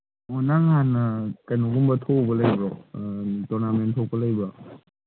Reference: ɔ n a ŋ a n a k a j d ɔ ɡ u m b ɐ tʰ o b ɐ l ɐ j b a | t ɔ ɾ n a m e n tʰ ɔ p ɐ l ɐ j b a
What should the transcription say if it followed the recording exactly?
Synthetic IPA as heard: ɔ n a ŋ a n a k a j n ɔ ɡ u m b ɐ tʰ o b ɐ l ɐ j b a | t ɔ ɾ n a m e n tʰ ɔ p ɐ l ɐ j b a

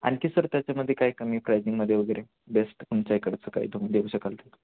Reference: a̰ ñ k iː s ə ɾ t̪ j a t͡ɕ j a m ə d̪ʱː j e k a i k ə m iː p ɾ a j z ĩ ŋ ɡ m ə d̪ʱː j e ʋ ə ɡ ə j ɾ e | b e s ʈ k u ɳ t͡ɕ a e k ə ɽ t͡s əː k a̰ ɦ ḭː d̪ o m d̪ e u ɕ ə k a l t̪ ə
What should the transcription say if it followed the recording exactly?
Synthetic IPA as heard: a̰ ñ k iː s ə ɾ t̪ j a t͡ɕ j a m ə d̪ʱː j e k a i k ə m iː p ɾ a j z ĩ ŋ ɡ m ə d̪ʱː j e ʋ ə ɡ ə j ɾ e | b e s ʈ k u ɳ t͡ɕ a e k ə ɽ t͡s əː k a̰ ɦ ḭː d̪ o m d̪ e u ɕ ə k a l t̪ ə

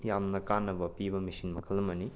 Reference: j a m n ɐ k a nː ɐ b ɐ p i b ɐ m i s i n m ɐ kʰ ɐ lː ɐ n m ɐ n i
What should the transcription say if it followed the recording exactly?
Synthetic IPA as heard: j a m n ɐ k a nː ɐ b ɐ p i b ɐ m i s i n m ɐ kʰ ɐ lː ɐ m ɐ n i

